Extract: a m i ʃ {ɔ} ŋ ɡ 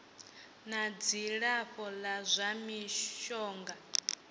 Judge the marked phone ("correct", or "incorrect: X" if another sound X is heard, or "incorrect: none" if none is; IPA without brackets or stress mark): incorrect: ɔː